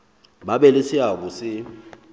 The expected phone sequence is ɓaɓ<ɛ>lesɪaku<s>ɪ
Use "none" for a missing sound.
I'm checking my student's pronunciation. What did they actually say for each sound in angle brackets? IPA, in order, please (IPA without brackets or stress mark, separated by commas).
ɛ, s